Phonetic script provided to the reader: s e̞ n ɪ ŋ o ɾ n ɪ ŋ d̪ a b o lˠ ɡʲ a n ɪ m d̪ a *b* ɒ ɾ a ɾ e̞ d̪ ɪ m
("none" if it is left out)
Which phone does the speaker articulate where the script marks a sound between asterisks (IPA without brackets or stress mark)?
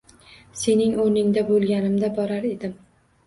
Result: b